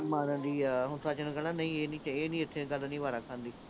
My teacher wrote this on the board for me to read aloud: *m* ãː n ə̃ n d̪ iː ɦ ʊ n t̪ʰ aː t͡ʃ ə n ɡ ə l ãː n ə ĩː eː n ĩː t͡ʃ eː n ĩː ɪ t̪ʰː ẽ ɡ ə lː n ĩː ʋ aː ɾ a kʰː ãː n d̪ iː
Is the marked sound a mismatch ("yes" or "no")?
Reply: no